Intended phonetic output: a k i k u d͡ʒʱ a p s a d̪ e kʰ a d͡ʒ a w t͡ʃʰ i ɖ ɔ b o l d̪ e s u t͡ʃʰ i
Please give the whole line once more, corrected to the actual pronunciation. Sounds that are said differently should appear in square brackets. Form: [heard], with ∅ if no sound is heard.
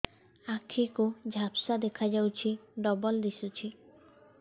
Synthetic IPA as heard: a [kʰ] i k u d͡ʒʱ a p s a d̪ e kʰ a d͡ʒ a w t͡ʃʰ i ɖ ɔ b [ɔ] l d̪ [i] s u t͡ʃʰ i

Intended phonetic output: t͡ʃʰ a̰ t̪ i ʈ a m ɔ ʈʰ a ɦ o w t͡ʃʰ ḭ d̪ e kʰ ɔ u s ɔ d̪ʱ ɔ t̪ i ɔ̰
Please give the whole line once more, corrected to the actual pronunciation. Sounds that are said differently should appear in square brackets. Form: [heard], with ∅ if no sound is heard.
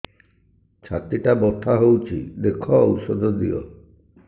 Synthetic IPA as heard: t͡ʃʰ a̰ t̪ i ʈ a [b] ɔ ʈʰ a ɦ o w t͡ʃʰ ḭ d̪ e kʰ ɔ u s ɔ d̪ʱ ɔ [d̪] i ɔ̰

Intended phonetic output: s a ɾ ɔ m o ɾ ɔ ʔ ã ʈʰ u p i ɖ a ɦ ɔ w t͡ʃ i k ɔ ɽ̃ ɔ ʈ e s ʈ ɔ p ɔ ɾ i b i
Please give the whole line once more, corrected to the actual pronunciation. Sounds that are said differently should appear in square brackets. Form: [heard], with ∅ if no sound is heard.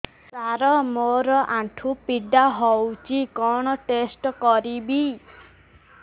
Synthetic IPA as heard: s a ɾ ɔ m o ɾ ɔ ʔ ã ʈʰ u p i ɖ a ɦ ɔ w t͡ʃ i k ɔ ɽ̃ ɔ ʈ e s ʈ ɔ [k] ɔ ɾ i b i

